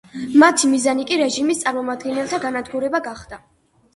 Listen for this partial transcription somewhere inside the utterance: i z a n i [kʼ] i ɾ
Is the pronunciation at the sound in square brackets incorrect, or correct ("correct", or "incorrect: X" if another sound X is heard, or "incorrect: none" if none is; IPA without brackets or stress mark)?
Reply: correct